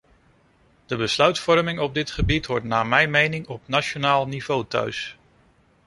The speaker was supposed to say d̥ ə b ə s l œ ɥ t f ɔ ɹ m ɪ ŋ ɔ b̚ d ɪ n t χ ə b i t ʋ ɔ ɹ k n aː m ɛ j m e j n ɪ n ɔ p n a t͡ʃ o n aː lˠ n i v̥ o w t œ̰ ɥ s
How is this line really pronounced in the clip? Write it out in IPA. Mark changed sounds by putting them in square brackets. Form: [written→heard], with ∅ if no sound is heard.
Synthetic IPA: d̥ ə b ə s l œ ɥ t f ɔ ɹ m ɪ ŋ ɔ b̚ d ɪ [n→∅] t χ ə b i t ʋ ɔ ɹ [k→t] n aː m ɛ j m e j n ɪ [n→ŋ] ɔ p n a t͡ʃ o n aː lˠ n i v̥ o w t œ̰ ɥ s